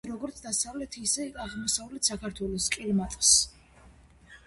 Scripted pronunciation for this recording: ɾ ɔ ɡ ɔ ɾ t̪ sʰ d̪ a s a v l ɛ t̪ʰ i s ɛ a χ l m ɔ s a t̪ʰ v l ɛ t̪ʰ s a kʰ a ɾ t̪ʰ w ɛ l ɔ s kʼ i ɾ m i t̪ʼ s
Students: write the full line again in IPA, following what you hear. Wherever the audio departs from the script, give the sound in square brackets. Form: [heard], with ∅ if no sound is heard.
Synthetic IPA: ɾ ɔ ɡ ɔ ɾ t̪ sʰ d̪ a s a v l ɛ t̪ʰ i s ɛ a [ʁ] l m ɔ s a [∅] v l ɛ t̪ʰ s a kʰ a ɾ t̪ʰ w ɛ l ɔ s kʼ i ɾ m [a] t̪ʼ s